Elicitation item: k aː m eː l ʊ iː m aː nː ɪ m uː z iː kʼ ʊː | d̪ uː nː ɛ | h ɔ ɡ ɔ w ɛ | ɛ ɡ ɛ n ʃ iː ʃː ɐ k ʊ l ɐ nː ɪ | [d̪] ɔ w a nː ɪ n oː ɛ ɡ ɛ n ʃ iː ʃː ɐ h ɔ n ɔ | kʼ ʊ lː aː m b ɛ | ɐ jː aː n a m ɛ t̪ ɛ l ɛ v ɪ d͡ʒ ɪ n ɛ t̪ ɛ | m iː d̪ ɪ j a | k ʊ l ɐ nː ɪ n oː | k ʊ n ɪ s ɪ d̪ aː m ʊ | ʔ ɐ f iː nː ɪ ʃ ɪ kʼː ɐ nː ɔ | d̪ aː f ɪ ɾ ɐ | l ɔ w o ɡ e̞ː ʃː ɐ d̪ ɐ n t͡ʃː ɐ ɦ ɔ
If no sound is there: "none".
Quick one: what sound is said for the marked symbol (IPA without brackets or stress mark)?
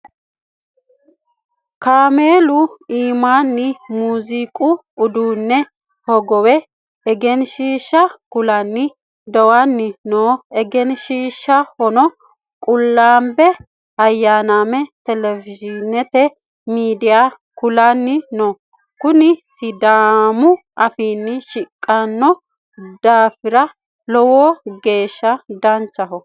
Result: d̪